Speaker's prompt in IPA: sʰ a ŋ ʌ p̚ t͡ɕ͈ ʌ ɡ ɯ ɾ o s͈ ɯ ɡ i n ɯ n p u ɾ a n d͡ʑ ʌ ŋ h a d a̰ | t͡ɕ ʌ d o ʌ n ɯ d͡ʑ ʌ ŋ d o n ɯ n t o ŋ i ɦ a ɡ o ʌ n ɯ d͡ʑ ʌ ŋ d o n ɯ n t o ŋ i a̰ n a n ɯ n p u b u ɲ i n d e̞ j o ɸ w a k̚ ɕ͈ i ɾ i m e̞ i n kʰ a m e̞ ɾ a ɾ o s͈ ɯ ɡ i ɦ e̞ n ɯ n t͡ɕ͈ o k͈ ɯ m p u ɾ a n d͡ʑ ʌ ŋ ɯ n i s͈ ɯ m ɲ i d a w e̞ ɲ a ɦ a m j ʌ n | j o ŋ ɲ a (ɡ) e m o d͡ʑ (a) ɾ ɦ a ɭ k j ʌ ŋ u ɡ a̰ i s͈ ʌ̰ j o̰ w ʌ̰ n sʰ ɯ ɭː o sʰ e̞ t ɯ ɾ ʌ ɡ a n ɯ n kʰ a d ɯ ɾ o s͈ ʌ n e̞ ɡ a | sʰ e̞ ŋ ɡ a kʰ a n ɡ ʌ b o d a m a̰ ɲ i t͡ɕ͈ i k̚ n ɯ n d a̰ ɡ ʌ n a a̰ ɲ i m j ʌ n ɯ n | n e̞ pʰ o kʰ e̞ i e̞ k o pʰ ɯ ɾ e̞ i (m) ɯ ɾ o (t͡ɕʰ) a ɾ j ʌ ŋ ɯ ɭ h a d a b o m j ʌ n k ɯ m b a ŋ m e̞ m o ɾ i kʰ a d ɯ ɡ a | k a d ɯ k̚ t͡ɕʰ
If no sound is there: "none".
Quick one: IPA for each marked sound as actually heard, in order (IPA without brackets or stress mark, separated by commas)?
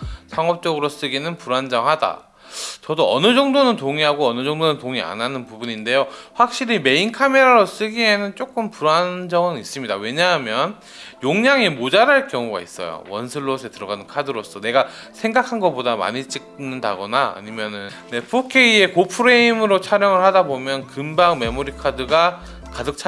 ŋ, a, m, t͡ɕʰ